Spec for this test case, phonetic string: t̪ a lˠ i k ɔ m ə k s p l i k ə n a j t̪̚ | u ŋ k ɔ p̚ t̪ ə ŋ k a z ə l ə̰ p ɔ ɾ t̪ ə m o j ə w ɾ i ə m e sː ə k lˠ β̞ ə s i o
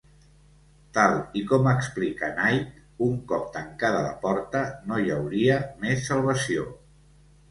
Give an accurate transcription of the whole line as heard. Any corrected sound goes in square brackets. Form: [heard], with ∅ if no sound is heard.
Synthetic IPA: t̪ a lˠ i k ɔ m ə k s p l i k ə n a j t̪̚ | u ŋ k ɔ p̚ t̪ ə ŋ k a [ð] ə l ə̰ p ɔ ɾ t̪ ə [n] o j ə w ɾ i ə m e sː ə [∅] lˠ β̞ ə s i o